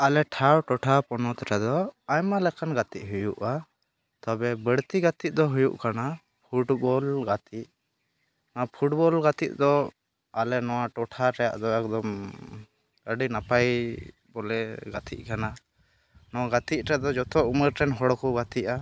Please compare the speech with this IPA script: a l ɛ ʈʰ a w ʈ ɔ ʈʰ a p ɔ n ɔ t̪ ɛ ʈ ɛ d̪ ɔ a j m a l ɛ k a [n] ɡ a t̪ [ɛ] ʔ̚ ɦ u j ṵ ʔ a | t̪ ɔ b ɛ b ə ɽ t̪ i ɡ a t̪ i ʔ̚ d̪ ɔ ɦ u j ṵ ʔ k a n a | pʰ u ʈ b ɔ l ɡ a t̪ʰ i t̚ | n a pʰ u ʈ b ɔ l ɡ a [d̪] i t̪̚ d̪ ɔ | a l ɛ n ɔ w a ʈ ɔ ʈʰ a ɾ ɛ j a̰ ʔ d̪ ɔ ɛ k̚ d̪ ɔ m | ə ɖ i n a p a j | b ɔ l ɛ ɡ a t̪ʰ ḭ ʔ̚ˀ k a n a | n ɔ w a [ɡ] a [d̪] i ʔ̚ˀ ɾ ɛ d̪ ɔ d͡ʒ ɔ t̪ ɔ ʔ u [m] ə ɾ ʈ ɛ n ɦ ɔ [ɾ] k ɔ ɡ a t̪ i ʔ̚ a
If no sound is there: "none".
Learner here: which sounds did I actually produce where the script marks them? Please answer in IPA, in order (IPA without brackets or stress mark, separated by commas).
n, i, t̪, ɡ, t̪, m, ɽ